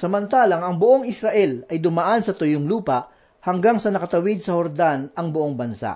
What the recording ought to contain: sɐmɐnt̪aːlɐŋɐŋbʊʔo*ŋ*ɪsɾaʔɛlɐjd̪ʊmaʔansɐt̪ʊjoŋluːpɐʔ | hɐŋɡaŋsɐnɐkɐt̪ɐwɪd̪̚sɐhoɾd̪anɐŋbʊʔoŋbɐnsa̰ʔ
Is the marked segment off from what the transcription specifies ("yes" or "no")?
no